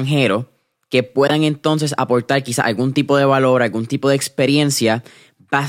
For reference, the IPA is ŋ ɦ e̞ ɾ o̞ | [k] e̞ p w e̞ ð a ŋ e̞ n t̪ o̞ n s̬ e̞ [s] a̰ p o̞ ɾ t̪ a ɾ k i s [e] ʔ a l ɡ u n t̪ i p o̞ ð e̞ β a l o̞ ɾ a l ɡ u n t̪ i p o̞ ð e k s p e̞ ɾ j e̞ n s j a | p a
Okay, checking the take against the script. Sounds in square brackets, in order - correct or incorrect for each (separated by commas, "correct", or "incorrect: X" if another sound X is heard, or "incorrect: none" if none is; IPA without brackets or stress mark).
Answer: correct, correct, incorrect: a